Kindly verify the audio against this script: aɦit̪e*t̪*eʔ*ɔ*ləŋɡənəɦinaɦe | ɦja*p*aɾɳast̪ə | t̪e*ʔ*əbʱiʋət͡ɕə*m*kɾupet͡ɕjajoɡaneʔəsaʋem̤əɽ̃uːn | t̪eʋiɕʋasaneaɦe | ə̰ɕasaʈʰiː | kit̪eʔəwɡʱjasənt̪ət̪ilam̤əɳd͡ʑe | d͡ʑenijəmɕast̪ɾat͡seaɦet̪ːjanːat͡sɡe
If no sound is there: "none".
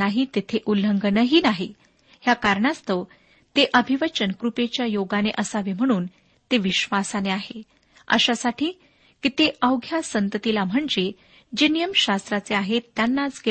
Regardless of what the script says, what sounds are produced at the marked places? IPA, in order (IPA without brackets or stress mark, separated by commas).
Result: t̪ʰ, u, k, ʔ, n